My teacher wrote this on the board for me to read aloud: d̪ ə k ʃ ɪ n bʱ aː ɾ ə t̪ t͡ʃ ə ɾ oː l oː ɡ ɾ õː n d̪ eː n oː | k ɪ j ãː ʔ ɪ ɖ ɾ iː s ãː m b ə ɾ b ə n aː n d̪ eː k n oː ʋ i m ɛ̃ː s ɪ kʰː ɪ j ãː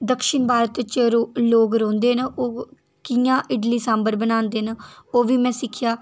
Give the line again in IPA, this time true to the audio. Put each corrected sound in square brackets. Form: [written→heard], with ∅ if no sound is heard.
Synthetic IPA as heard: d̪ ə k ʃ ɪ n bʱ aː ɾ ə t̪ t͡ʃ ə ɾ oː l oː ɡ ɾ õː n d̪ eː n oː | k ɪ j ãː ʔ ɪ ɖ [ɾ→l] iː s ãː m b ə ɾ b ə n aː n d̪ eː [k→∅] n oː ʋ [i→iː] m ɛ̃ː s ɪ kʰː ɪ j [ãː→aː]